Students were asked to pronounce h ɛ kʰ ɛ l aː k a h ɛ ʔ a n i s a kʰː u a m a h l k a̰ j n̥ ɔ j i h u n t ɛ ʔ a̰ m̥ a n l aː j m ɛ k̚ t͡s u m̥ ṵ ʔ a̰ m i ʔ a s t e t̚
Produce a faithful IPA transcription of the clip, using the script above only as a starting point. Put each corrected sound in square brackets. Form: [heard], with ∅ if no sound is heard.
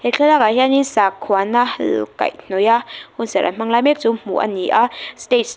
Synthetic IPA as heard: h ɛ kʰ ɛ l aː k a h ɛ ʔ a n i s a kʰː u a [n] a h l k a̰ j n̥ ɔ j [a] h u n [s] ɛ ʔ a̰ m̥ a [ŋ] l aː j m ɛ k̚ t͡s u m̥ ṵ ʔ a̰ [n] i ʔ a s t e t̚